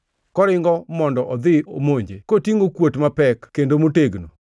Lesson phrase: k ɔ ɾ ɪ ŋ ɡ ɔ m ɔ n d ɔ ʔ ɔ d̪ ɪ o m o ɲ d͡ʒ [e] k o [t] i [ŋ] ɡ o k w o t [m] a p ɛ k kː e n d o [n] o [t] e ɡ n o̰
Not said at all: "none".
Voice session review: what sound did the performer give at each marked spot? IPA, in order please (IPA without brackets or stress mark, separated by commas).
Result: e, t, ŋ, m, m, t